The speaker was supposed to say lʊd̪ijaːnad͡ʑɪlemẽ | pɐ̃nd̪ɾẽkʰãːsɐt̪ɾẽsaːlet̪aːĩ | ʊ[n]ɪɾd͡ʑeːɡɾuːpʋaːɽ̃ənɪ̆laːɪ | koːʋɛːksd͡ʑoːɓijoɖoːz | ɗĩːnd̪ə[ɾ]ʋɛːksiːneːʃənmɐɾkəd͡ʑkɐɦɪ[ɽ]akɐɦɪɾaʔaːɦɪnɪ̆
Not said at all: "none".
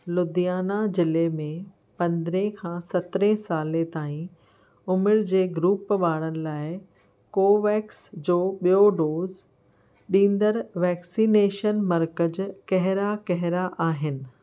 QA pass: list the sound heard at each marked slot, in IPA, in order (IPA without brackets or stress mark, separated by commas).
m, ɾ, ɾ